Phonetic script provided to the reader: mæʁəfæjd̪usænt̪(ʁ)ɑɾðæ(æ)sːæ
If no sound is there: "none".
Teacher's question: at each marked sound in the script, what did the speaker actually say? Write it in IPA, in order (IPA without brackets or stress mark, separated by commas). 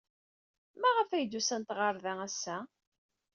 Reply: ʁ, æ